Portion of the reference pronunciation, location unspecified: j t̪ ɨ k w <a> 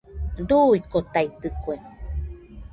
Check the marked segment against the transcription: incorrect: e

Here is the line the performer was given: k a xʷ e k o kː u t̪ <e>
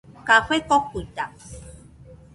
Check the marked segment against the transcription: incorrect: a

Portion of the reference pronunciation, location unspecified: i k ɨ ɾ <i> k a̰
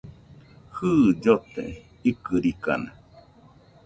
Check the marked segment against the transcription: correct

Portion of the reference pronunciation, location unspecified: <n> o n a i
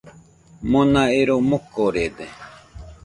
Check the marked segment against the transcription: incorrect: m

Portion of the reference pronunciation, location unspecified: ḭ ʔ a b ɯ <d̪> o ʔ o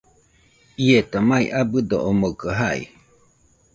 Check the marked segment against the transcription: correct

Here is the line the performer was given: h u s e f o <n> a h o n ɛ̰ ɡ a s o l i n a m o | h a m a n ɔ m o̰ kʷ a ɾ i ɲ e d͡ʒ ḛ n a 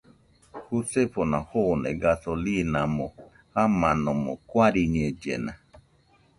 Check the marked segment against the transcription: correct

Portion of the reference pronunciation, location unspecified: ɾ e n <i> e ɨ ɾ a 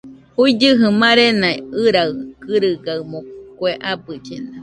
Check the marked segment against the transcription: incorrect: a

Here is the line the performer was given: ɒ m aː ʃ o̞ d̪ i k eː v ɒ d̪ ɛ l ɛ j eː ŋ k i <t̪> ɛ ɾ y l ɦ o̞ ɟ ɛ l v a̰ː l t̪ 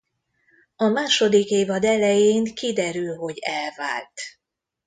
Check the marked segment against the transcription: incorrect: d̪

